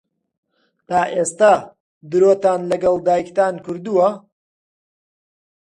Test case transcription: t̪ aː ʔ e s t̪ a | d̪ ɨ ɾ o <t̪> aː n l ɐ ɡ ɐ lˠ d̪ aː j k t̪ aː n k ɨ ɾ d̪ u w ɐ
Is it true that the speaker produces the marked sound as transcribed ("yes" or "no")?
yes